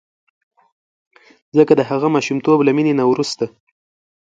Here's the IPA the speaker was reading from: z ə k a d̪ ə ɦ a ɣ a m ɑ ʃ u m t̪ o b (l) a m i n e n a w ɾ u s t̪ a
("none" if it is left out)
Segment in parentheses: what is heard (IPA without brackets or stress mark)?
l